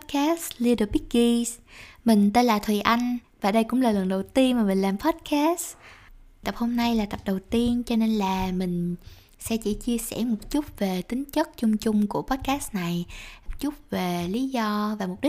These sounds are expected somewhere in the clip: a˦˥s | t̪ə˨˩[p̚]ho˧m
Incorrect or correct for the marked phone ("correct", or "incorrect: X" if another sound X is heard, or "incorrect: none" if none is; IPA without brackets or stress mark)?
correct